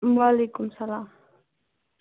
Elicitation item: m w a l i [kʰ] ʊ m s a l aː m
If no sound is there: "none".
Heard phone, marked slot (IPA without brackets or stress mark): k